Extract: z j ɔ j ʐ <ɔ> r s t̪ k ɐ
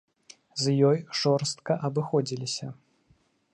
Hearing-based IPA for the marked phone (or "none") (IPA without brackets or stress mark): ɔ